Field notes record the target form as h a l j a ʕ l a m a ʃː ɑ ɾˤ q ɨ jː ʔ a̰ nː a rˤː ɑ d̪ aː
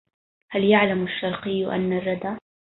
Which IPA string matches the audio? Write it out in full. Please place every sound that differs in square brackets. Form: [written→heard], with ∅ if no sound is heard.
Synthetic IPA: h a l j a ʕ l a m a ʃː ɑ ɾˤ q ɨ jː ʔ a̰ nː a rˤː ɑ d̪ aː